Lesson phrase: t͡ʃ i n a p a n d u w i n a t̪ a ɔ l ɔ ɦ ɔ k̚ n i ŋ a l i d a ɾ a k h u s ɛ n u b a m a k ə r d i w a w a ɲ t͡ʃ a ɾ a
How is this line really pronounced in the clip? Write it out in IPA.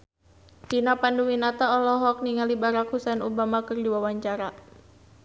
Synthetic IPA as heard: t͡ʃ i n a p a n d u w i n a t̪ a ɔ l ɔ ɦ ɔ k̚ n i ŋ a l i b a ɾ a k h u s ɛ n u b a m a k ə r d i w a w a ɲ t͡ʃ a ɾ a